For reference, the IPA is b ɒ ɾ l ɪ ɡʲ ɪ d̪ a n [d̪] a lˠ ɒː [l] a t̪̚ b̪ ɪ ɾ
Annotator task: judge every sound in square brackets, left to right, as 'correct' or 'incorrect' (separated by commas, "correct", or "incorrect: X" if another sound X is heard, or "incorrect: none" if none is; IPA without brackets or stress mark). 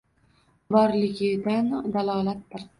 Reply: correct, correct